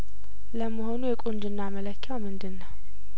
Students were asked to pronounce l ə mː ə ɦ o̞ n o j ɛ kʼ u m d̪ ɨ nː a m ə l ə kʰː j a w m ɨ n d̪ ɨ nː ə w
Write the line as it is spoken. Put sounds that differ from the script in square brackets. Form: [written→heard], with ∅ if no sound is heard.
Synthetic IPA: l ə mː ə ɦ o̞ n [o→u] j ɛ kʼ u [m→n] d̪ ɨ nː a m ə l ə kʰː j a w m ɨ n d̪ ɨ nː ə w